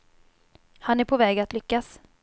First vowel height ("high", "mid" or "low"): low